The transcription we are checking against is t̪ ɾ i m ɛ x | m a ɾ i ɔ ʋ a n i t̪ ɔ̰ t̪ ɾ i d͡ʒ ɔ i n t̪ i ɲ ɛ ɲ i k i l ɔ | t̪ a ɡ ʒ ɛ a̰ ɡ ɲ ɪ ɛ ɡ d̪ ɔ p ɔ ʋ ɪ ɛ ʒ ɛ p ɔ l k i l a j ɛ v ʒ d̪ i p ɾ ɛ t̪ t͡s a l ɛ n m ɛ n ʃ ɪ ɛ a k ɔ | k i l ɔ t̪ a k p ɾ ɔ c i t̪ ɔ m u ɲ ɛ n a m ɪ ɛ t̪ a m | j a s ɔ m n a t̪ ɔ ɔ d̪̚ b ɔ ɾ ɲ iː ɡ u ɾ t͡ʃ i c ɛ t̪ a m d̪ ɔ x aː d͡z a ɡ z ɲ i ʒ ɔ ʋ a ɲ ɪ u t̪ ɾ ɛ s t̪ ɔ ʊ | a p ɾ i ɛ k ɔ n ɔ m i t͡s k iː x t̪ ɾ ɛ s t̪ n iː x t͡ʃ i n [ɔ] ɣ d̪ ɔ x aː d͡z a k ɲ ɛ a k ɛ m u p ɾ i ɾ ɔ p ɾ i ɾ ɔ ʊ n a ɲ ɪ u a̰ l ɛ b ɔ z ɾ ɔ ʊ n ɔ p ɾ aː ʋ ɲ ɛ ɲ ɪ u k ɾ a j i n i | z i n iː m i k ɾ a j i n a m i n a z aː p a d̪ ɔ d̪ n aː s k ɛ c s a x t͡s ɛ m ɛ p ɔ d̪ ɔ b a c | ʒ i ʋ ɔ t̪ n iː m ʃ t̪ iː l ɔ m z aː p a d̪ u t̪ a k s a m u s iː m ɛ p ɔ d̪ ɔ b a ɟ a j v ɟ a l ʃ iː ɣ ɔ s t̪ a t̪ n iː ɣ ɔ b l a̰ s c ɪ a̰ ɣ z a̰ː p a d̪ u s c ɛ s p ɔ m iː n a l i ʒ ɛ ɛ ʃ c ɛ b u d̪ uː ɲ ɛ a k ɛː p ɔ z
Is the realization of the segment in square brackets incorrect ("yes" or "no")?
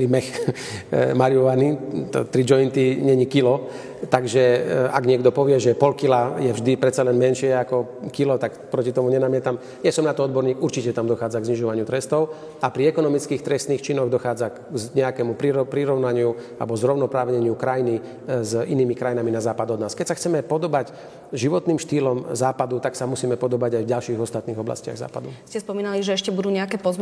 no